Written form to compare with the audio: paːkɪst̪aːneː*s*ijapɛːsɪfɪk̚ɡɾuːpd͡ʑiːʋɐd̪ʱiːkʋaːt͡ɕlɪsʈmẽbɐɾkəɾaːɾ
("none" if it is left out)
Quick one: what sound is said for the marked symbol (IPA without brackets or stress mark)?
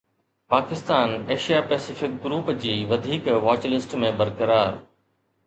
ʃ